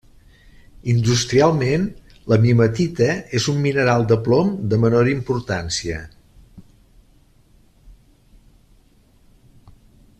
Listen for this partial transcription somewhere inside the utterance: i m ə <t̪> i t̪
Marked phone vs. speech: correct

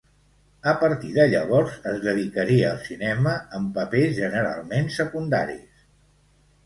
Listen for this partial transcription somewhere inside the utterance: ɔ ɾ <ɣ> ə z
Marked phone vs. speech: incorrect: z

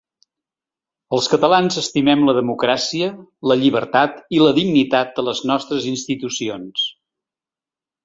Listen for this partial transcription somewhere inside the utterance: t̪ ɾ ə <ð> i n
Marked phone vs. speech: incorrect: z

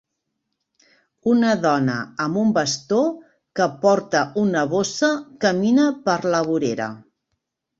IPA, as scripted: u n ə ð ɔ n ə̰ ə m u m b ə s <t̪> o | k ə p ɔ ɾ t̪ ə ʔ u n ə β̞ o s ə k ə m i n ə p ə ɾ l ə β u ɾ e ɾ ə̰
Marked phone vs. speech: correct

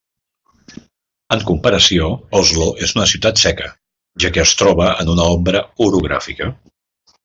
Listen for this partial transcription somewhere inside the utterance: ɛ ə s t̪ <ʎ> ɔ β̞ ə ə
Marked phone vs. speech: incorrect: ɾ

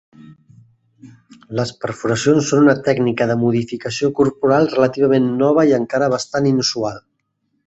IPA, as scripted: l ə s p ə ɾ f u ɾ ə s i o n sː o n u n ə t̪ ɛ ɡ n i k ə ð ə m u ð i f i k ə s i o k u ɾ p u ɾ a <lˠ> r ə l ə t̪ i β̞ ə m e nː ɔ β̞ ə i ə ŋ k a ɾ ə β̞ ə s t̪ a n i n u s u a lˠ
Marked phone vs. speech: correct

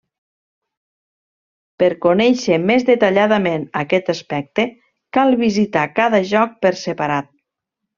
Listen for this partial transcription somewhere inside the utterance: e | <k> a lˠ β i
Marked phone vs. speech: correct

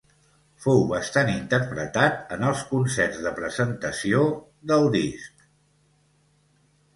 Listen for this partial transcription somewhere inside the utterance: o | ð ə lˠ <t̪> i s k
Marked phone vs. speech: incorrect: d̪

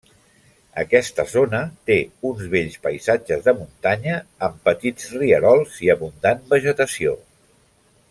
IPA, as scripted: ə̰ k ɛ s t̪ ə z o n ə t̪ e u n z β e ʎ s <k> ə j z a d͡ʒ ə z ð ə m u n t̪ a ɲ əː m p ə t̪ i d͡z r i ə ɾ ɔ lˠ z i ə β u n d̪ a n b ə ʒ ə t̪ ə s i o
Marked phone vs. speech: incorrect: p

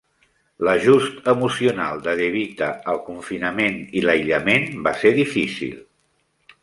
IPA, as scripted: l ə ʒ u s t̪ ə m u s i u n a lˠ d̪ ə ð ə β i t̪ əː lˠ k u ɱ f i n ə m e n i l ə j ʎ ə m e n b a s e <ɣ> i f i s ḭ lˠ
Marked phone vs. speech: incorrect: ð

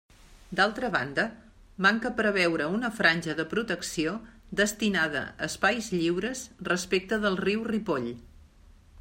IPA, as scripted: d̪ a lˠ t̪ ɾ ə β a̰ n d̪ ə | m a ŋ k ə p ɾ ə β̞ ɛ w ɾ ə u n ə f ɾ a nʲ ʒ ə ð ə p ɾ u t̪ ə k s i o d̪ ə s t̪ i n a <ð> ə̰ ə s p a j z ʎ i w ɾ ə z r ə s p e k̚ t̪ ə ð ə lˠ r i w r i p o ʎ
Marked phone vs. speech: correct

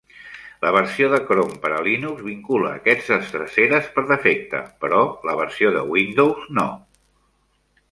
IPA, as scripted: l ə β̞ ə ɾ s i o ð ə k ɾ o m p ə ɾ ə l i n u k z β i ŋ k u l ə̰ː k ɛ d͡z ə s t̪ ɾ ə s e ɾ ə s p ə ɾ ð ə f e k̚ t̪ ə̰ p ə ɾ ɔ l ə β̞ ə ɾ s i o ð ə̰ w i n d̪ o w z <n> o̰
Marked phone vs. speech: correct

